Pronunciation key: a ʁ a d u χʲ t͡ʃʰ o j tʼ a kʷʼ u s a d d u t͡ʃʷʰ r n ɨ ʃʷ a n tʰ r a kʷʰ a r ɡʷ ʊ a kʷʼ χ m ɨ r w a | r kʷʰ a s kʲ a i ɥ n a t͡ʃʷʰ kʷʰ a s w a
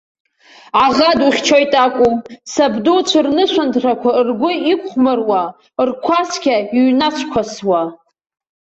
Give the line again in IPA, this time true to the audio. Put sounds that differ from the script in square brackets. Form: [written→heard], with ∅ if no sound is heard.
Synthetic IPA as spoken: a ʁ a d u χʲ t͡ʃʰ o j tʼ a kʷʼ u s a [d→b] d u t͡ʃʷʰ r n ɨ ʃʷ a n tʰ r a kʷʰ a r ɡʷ ʊ [a→i] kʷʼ χ m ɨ r w a | r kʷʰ a s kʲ a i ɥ n a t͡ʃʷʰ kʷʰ a s w a